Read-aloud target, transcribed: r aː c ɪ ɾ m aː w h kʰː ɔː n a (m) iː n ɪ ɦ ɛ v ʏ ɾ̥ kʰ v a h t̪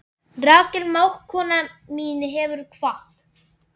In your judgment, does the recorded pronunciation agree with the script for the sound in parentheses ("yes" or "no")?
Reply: yes